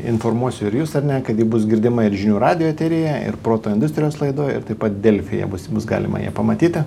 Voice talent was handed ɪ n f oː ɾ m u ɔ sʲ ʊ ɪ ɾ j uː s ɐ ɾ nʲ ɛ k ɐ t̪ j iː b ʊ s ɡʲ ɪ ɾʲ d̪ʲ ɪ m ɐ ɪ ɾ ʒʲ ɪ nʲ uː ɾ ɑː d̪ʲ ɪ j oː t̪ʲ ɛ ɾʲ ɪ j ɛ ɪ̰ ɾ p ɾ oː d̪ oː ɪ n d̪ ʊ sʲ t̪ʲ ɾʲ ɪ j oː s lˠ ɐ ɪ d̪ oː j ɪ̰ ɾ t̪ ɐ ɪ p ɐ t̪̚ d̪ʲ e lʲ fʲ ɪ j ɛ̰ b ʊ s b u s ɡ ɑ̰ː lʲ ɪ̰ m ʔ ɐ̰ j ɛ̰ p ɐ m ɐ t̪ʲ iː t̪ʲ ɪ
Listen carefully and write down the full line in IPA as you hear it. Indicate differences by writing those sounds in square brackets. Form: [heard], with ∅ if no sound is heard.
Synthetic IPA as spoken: ɪ n f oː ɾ m u ɔ sʲ ʊ ɪ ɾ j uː s ɐ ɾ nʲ ɛ k ɐ t̪ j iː b ʊ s ɡʲ ɪ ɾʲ d̪ʲ ɪ m ɐ ɪ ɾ ʒʲ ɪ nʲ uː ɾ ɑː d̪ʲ ɪ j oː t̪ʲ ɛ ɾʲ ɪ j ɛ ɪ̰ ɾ p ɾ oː [t̪] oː ɪ n d̪ ʊ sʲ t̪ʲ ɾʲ ɪ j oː s lˠ ɐ ɪ d̪ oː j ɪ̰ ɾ t̪ ɐ ɪ p ɐ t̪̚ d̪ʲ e lʲ fʲ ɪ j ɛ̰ b ʊ s b [ʊ] s ɡ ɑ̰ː lʲ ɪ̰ m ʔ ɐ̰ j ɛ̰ p ɐ m ɐ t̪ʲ iː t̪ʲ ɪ

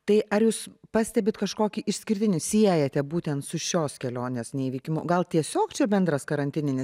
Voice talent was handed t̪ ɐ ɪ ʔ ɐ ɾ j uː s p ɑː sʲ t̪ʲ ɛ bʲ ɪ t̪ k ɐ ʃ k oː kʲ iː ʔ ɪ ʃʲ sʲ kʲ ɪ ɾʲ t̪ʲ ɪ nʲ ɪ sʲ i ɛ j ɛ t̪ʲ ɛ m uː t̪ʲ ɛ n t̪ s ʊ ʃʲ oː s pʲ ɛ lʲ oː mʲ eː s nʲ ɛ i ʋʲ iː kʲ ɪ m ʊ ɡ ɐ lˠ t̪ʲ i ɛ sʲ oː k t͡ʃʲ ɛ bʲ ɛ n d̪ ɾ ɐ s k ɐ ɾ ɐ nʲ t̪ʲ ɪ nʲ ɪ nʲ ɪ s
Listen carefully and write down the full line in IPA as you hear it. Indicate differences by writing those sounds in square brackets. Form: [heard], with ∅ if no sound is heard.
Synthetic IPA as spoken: t̪ ɐ ɪ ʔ ɐ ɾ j uː s p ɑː sʲ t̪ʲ ɛ bʲ ɪ t̪ k ɐ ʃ k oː kʲ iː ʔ ɪ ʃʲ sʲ kʲ ɪ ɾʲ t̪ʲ ɪ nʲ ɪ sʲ i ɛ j ɛ t̪ʲ ɛ [b] uː t̪ʲ ɛ n t̪ s ʊ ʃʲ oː s [kʲ] ɛ lʲ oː [nʲ] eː s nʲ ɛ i ʋʲ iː kʲ ɪ m ʊ ɡ ɐ lˠ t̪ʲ i ɛ sʲ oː k t͡ʃʲ ɛ bʲ ɛ n d̪ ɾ ɐ s k ɐ ɾ ɐ nʲ t̪ʲ ɪ nʲ ɪ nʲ ɪ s

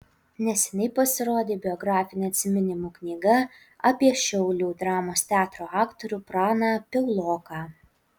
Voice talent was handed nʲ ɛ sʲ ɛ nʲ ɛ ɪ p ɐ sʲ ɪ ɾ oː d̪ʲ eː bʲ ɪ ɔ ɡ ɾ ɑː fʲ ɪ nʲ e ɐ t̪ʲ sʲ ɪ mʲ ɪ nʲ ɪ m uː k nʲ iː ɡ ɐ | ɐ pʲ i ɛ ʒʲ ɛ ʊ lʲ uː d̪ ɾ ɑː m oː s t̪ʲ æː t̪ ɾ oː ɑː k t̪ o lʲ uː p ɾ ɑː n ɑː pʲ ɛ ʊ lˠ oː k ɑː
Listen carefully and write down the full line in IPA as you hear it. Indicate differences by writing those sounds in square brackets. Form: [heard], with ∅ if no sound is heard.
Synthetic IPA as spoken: nʲ ɛ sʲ ɛ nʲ ɛ ɪ p ɐ sʲ ɪ ɾ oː d̪ʲ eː bʲ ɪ ɔ ɡ ɾ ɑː fʲ ɪ nʲ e ɐ t̪ʲ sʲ ɪ mʲ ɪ nʲ ɪ m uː k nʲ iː ɡ ɐ | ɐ pʲ i ɛ [ʃʲ] ɛ ʊ lʲ uː d̪ ɾ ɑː m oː s t̪ʲ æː t̪ ɾ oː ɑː k t̪ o [ɾʲ] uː p ɾ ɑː n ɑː pʲ ɛ ʊ lˠ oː k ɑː

